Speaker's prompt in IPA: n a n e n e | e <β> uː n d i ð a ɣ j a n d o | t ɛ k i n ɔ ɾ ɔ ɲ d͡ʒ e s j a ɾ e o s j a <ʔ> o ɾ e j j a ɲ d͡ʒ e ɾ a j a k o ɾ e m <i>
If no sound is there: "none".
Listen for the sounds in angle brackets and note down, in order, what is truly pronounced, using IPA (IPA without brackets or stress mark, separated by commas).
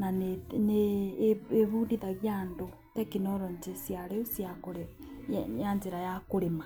β, k, a